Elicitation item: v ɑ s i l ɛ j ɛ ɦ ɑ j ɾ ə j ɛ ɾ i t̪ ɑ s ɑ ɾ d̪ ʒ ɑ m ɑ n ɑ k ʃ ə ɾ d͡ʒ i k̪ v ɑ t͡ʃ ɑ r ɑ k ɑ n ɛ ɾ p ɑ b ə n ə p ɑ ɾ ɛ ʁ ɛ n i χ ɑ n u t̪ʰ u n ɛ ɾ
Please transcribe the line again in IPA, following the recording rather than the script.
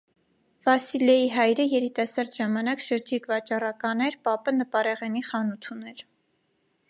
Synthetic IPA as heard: v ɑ s i l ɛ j i ɦ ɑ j ɾ ə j ɛ ɾ i t̪ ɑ s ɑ ɾ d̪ ʒ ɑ m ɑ n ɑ k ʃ ə ɾ d͡ʒ i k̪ v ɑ t͡ʃ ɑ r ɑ k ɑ n ɛ ɾ p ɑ p ə n ə p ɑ ɾ ɛ ʁ ɛ n i χ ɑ n u t̪ʰ u n ɛ ɾ